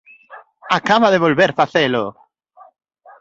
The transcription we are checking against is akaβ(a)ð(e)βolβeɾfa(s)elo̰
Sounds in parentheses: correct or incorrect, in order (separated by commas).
correct, correct, incorrect